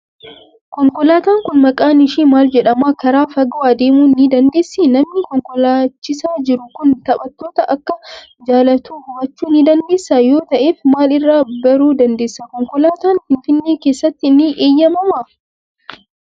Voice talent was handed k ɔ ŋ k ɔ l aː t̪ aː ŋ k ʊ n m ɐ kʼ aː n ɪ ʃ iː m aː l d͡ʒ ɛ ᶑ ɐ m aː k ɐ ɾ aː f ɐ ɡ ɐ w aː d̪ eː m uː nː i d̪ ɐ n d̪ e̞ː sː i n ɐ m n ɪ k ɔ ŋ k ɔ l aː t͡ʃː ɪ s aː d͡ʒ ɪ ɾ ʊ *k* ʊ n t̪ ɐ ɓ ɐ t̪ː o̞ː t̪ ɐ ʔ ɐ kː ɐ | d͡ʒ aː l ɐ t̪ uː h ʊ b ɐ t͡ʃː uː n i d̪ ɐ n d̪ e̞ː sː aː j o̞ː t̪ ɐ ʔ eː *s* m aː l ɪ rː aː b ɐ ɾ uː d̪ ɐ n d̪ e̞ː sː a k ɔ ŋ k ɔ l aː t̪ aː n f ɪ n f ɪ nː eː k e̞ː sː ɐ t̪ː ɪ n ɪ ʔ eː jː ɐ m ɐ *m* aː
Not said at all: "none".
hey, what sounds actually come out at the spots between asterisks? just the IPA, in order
k, f, m

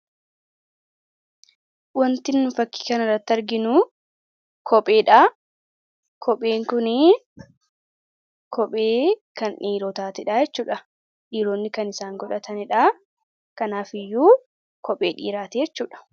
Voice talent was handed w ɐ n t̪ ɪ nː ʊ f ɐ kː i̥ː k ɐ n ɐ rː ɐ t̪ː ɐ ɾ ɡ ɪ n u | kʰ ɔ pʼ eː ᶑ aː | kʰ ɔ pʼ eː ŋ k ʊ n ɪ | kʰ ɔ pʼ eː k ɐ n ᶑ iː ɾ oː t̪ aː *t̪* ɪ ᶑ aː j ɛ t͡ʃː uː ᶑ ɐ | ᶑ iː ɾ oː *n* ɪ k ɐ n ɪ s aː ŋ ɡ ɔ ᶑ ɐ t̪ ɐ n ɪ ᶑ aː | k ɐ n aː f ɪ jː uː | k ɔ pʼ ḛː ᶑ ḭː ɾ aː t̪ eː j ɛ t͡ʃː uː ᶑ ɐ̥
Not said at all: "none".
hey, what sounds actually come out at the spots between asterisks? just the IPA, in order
t̪, nː

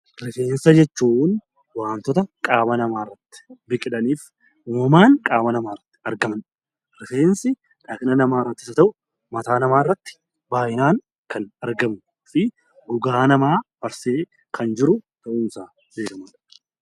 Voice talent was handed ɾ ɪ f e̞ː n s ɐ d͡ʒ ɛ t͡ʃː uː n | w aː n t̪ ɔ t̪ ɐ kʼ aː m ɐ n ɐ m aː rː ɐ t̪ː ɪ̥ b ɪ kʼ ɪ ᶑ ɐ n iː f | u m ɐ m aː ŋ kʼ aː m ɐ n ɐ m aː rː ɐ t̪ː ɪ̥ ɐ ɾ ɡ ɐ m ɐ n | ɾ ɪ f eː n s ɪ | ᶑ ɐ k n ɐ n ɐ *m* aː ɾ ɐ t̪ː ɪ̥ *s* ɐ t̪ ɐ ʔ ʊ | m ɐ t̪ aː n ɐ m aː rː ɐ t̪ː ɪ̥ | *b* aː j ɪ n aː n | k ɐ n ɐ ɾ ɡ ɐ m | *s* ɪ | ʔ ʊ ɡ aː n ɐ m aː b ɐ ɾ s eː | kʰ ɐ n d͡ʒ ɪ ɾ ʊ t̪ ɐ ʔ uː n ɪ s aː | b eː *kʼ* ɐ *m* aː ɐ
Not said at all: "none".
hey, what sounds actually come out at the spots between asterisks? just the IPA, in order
m, s, b, f, k, m

